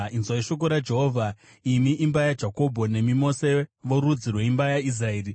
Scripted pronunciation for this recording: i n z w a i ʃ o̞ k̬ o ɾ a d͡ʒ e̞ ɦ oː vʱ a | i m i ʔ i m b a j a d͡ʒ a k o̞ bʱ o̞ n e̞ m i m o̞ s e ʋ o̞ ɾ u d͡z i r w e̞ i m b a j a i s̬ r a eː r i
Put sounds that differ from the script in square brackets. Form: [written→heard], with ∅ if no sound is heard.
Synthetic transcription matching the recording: i n z w a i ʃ o̞ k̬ o ɾ a d͡ʒ e̞ ɦ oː vʱ a | i m i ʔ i m b a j a d͡ʒ a k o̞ bʱ o̞ n e̞ m i m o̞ s e ʋ o̞ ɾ u d͡z i r w e̞ i m b a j a i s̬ r a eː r i